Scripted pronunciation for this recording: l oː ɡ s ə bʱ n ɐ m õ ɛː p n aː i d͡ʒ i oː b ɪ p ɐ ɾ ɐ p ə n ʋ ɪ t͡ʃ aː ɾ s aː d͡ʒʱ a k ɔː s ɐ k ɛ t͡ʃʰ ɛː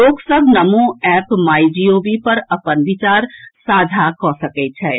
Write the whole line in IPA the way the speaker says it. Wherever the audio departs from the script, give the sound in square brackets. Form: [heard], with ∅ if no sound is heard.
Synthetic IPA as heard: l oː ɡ s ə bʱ n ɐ m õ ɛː p [m] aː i d͡ʒ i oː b [i] p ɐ ɾ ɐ p ə n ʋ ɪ t͡ʃ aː ɾ s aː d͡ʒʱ a k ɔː s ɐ k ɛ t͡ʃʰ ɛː